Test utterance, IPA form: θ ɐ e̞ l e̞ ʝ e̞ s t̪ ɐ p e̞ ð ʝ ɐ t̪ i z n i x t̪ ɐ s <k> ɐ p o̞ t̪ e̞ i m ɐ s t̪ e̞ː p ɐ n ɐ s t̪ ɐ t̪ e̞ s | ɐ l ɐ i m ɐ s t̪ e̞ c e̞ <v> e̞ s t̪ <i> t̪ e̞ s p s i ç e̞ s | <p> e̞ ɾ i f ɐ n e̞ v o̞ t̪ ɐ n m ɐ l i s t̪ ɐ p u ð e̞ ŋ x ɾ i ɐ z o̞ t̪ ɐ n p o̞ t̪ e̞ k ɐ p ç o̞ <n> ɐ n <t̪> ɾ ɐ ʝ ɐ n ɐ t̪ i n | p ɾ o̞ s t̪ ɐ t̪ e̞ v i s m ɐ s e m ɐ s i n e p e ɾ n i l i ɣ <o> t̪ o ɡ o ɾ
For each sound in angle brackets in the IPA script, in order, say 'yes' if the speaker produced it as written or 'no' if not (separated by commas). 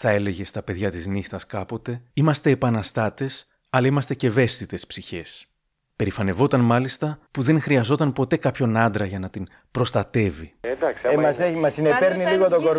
yes, yes, yes, yes, yes, no, yes